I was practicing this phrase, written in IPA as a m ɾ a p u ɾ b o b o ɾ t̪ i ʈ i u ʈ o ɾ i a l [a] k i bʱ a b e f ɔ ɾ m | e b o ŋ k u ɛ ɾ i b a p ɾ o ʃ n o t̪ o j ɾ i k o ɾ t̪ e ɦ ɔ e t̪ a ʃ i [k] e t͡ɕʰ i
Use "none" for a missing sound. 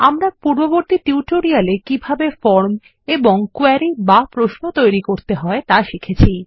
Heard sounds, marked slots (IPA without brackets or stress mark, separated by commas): e, kʰ